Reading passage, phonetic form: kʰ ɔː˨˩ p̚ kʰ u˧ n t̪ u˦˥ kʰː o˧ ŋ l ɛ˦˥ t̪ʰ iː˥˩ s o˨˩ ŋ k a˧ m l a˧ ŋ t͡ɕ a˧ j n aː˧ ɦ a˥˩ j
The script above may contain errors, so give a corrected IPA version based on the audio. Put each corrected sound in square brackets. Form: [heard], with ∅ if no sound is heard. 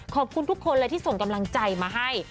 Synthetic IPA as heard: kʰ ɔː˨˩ p̚ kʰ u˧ n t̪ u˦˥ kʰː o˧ [n] l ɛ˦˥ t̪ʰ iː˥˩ s o˨˩ ŋ k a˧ m l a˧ ŋ t͡ɕ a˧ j [m] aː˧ ɦ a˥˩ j